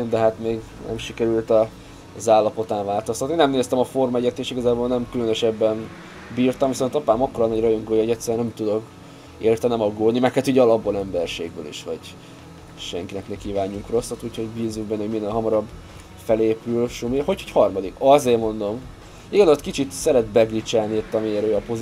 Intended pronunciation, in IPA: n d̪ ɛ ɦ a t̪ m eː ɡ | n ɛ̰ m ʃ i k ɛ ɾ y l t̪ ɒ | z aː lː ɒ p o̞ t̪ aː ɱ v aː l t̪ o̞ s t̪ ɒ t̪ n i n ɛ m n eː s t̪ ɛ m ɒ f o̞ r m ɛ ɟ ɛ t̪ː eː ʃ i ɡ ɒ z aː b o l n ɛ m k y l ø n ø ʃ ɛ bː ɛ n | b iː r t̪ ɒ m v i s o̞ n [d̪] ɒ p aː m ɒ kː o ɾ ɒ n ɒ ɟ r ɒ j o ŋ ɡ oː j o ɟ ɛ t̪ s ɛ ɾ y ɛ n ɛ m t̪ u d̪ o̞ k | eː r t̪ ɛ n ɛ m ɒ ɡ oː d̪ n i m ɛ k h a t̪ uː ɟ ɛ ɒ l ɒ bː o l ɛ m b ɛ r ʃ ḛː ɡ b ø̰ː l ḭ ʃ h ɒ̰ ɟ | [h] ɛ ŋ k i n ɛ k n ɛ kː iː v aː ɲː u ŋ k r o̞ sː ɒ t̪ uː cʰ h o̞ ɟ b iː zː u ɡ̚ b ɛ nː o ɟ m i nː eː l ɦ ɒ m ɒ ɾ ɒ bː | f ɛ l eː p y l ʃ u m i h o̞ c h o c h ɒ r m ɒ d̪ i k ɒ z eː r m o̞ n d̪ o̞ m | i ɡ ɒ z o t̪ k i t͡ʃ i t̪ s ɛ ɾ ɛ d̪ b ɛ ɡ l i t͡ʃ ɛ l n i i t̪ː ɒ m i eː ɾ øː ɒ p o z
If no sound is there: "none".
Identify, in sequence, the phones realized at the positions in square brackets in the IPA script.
t̪, ʃ

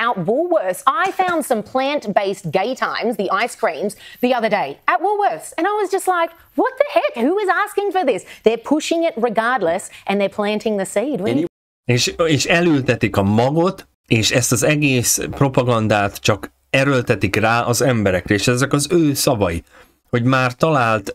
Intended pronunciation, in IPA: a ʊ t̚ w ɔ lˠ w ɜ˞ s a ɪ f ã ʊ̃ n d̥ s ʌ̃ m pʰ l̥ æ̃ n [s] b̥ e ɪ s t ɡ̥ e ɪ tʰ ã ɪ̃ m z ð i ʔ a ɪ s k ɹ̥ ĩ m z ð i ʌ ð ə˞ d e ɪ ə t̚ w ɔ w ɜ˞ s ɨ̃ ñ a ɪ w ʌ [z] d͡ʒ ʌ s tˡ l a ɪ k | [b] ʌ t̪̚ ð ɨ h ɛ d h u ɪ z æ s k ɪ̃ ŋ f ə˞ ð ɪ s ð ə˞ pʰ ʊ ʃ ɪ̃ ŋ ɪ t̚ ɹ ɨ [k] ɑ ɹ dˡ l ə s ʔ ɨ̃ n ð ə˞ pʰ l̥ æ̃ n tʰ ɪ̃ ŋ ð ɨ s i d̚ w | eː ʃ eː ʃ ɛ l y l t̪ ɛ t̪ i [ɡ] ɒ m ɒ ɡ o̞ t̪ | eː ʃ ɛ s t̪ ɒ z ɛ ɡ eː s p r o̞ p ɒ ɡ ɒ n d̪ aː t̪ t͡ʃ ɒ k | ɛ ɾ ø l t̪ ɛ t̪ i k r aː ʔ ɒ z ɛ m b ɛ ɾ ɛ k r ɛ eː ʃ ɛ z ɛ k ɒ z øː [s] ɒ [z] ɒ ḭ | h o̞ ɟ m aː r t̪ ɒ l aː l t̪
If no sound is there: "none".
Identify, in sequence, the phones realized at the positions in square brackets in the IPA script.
t, z, w, ɡ, k, s, v

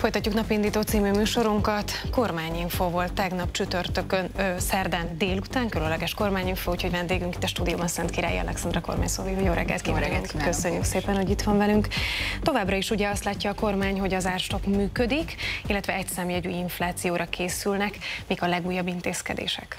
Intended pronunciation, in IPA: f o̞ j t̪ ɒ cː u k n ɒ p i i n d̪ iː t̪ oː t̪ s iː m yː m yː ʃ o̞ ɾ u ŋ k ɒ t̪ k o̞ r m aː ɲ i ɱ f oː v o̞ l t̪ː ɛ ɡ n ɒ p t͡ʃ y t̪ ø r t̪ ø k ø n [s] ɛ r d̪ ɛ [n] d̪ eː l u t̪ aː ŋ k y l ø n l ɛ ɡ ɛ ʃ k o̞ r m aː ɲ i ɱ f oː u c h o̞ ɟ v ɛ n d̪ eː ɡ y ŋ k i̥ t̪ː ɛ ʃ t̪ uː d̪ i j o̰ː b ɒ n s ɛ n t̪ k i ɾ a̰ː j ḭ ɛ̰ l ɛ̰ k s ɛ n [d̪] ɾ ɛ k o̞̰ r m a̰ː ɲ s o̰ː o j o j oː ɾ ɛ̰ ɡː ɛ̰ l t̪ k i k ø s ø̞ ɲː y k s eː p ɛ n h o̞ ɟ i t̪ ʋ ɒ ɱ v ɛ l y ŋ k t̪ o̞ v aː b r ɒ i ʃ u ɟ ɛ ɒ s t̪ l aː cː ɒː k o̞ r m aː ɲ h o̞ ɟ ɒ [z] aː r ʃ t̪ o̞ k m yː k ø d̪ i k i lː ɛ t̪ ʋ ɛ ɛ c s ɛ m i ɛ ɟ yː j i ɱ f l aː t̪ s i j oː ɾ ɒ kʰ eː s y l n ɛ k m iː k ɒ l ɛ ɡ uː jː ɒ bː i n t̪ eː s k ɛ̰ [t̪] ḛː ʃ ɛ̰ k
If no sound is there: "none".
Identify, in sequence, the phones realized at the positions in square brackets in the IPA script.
s, n, d̪, z, d̪

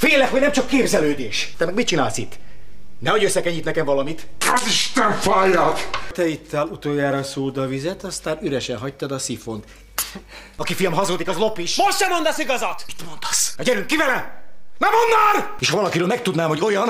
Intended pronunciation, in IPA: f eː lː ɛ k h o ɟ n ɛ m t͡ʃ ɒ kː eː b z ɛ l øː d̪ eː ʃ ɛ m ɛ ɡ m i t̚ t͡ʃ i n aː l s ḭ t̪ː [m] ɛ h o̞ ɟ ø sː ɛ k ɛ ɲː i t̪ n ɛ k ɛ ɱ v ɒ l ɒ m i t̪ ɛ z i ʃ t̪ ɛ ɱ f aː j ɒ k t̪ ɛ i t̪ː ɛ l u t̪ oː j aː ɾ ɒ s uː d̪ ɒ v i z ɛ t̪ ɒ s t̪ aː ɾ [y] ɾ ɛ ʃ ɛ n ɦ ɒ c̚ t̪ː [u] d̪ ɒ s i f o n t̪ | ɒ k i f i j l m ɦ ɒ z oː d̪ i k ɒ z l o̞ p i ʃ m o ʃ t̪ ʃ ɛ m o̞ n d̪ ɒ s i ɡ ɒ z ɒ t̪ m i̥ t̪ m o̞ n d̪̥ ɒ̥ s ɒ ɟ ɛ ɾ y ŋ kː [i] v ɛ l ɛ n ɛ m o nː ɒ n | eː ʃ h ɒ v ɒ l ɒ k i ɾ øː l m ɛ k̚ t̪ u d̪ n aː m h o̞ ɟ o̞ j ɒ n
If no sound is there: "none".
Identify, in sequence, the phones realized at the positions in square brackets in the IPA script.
n, y, ɒ, i

